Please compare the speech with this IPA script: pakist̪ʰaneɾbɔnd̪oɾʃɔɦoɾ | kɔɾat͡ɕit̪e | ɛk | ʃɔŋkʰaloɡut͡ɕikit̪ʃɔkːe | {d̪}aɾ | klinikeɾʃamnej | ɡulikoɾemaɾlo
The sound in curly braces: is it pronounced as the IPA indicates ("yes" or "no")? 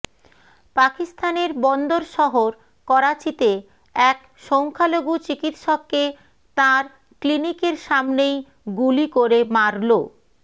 no